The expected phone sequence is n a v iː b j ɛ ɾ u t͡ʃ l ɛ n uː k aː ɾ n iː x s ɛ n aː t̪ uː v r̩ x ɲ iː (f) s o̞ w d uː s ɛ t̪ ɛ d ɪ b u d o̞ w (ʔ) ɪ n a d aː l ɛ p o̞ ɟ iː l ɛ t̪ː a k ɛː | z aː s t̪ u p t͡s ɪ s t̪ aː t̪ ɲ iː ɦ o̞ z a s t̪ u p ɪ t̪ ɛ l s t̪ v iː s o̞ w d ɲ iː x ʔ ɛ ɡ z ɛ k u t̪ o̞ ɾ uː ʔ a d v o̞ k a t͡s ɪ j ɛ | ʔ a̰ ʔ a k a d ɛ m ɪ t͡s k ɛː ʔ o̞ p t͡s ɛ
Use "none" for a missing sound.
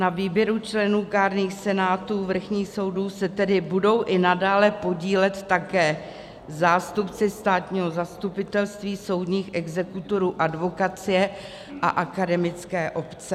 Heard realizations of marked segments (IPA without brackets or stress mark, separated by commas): x, ʔ